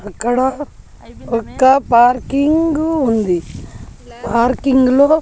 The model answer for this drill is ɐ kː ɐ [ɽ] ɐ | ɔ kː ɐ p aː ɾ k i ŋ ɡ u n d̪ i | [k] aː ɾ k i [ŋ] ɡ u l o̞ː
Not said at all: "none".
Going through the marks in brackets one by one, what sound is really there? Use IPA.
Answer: ɽ, p, ŋ

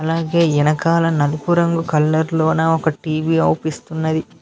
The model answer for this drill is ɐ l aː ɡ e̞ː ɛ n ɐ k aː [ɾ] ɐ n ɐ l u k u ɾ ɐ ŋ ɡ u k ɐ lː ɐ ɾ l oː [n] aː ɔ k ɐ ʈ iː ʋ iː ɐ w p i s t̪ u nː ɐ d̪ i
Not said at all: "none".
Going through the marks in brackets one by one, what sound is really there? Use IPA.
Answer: l, n

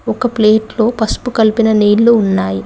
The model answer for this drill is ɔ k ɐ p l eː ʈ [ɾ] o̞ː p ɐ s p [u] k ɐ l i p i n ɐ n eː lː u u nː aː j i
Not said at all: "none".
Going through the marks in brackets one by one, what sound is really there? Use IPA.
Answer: l, u

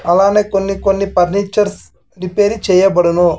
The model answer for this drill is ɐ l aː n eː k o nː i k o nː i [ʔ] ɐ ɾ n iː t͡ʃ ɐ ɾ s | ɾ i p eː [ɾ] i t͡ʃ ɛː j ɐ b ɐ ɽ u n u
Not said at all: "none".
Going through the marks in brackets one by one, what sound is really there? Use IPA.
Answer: p, ɾ

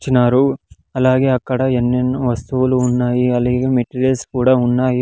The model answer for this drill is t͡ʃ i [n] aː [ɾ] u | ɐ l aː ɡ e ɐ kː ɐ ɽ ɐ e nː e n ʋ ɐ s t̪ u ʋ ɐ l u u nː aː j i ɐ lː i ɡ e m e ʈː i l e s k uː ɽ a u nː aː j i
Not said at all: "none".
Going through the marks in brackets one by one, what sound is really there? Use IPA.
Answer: n, ɾ

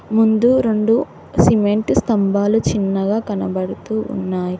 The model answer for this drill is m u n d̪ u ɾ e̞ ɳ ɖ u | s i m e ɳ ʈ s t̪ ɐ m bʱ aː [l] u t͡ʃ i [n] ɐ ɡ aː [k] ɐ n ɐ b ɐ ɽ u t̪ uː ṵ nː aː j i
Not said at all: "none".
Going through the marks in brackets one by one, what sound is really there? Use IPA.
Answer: l, nː, k

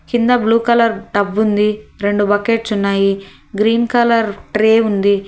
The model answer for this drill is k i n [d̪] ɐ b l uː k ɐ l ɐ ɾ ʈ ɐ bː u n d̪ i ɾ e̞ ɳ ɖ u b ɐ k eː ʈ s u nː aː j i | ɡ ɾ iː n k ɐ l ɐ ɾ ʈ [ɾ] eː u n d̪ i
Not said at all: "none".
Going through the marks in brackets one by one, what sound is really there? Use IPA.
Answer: d̪, ɾ

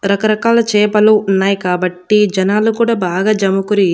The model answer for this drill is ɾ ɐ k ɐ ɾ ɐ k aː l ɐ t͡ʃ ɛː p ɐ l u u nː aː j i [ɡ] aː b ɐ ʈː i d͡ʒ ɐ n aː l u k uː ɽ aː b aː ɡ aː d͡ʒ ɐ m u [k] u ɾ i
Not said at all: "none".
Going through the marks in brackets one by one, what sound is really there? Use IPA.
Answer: k, k

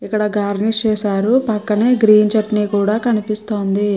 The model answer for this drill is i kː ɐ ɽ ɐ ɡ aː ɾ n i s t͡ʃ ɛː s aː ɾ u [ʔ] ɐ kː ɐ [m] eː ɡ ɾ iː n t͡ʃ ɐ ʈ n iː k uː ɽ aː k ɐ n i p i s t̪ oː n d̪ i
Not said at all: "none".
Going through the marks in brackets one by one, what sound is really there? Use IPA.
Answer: p, n

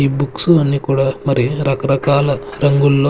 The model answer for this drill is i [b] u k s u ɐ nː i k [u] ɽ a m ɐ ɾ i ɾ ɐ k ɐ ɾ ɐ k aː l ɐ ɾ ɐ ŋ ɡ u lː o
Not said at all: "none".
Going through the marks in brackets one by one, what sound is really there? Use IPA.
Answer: b, uː

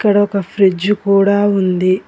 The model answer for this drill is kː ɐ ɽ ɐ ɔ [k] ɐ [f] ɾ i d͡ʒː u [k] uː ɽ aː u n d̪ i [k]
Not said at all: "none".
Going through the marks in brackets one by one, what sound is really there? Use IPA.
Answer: k, f, k, none

